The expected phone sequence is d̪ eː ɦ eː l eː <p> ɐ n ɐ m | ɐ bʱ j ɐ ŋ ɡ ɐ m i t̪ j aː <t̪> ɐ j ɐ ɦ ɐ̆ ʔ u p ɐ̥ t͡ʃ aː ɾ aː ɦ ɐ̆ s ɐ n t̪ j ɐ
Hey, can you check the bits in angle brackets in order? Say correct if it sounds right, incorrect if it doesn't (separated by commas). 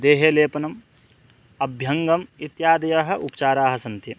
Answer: correct, incorrect